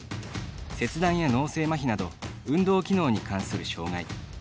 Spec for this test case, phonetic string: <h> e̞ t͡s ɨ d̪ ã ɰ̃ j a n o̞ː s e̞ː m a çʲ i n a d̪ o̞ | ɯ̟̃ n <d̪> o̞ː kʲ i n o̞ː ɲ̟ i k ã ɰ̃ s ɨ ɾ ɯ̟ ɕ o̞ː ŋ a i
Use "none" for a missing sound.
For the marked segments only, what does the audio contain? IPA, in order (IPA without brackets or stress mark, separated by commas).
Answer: s, d̪